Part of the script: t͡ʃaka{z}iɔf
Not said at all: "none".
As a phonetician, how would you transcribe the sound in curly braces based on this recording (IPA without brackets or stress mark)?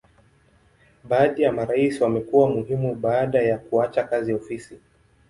z